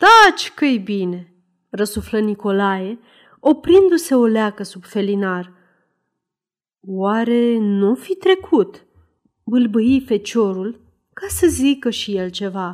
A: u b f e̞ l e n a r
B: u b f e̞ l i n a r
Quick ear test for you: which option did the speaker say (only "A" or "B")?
B